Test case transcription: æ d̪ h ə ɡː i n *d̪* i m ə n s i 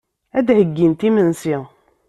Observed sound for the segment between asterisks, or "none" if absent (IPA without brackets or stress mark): t̪